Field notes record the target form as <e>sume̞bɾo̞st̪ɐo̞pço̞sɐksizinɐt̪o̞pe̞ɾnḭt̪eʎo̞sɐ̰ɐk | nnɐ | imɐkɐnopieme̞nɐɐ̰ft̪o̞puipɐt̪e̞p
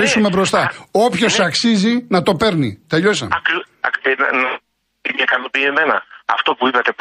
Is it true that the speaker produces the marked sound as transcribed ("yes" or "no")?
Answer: no